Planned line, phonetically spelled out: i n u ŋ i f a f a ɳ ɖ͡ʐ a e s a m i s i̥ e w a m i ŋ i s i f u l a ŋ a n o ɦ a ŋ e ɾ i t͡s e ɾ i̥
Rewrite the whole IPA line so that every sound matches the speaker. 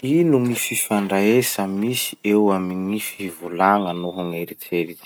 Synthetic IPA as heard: i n u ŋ i f i f a ɳ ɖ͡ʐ a e s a m i s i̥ e w a m i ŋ i f i v u l a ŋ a n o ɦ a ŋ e ɾ i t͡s e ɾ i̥